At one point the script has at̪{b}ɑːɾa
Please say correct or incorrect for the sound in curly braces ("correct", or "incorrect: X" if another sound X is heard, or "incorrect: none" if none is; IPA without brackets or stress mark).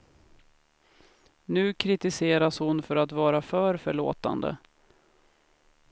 incorrect: v